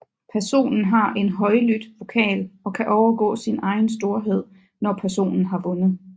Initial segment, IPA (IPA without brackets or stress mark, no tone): pʰ